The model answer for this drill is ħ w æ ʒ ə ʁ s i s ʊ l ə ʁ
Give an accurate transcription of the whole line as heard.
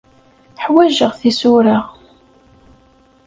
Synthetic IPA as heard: ħ w æ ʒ ə ʁ θ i s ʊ ɾ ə ʁ